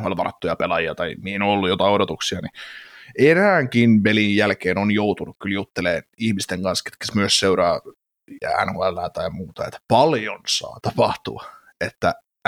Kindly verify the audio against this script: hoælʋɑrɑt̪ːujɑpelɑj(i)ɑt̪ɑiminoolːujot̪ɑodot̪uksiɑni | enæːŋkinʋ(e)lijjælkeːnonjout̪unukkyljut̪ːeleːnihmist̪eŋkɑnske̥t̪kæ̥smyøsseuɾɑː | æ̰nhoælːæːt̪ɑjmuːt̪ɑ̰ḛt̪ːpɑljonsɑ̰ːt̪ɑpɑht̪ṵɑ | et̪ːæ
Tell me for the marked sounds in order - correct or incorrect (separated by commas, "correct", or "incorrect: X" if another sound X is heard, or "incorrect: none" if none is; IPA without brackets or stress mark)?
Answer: correct, correct